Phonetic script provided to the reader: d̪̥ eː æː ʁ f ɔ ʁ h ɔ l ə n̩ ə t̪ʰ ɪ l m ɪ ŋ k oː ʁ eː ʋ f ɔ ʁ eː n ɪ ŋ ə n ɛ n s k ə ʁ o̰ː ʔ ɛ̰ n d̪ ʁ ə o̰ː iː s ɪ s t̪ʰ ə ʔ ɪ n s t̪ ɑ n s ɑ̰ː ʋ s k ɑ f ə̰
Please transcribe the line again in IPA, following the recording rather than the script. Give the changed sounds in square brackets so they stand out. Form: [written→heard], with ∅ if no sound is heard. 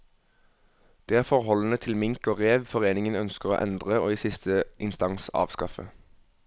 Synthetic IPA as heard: d̪̥ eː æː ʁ f ɔ ʁ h ɔ l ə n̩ ə t̪ʰ ɪ l m ɪ ŋ k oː ʁ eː ʋ f ɔ ʁ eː n ɪ ŋ ə n [ɛ→œ] n s k ə ʁ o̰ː ʔ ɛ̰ n d̪ ʁ ə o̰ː iː s ɪ s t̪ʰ ə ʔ ɪ n s t̪ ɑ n s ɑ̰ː ʋ s k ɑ f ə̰